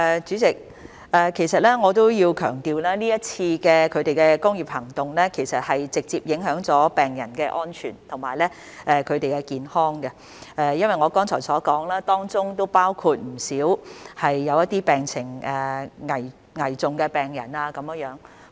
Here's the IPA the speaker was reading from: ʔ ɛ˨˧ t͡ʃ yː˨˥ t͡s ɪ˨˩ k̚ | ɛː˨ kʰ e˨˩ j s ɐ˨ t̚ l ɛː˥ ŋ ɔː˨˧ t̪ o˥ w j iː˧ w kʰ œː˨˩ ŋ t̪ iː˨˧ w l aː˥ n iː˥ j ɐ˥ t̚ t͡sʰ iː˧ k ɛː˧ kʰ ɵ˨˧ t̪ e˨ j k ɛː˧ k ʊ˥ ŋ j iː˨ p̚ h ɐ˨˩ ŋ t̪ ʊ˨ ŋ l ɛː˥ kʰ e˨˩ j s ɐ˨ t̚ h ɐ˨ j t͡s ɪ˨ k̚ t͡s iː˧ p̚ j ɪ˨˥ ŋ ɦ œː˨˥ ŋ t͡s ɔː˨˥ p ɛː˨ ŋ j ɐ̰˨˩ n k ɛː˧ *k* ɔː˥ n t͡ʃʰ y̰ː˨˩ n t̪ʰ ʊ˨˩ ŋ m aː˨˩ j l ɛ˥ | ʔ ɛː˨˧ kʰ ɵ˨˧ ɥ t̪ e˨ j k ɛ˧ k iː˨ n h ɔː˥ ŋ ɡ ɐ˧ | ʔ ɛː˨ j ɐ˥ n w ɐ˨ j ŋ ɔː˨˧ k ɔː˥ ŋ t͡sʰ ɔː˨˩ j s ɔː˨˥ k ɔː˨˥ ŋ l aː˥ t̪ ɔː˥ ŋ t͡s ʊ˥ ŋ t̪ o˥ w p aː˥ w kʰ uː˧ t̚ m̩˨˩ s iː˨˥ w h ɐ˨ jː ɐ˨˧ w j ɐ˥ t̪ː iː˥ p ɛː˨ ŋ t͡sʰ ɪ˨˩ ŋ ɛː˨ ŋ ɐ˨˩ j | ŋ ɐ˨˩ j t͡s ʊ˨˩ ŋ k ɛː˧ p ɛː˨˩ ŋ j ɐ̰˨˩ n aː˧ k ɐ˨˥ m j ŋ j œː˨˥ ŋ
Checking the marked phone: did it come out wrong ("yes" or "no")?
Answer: yes